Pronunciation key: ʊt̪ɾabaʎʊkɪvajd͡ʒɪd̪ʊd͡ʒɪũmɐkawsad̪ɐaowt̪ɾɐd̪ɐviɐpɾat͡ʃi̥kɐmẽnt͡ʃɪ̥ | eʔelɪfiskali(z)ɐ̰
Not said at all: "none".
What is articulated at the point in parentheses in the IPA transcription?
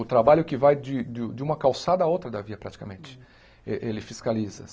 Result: z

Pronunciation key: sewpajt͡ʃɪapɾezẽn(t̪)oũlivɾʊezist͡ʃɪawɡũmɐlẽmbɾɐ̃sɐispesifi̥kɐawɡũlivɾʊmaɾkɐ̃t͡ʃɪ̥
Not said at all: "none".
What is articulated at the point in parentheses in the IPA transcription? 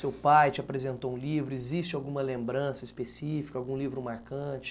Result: t̪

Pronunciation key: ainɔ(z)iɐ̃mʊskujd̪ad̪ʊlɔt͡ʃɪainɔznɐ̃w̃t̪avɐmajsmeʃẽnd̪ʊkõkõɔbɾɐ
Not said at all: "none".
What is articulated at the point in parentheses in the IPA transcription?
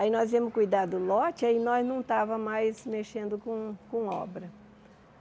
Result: z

